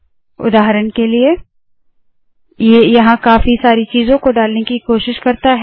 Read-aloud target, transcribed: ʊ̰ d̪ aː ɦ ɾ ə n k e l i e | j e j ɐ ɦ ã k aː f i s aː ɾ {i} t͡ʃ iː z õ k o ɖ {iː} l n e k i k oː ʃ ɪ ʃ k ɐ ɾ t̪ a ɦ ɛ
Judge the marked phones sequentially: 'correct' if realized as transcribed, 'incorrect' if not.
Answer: correct, incorrect

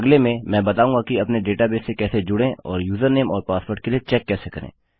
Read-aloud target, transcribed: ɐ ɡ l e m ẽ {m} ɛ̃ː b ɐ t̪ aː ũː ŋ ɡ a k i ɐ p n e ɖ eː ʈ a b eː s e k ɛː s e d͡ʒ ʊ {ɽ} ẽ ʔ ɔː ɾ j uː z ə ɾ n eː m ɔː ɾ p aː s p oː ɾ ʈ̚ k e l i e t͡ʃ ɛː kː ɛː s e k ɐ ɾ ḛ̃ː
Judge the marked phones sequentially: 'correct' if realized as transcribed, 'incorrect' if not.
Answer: correct, correct

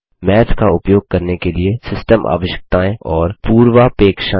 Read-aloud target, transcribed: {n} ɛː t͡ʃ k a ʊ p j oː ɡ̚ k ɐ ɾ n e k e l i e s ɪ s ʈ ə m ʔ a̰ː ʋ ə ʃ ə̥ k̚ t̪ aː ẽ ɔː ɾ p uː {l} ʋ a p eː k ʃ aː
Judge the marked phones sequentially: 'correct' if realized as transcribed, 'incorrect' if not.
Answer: incorrect, incorrect

